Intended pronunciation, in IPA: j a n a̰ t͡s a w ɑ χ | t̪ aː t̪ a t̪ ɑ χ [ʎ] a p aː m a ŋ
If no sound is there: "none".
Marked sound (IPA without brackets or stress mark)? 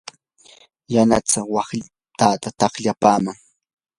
ʎ